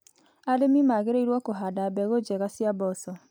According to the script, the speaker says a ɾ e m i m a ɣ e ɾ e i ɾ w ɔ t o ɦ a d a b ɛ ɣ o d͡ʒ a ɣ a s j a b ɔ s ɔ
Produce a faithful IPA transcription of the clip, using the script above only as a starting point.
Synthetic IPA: a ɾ e m i m a ɣ e ɾ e i ɾ w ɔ k o ɦ a d a b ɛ ɣ o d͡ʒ ɛ ɣ a s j a b ɔ s ɔ